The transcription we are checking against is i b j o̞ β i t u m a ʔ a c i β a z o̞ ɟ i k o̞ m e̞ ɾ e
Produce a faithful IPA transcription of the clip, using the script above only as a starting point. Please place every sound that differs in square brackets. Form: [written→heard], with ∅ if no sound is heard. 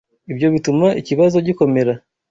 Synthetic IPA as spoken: i b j o̞ β i t u m a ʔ [a→i] c i β a z o̞ ɟ i k o̞ m e̞ ɾ [e→a]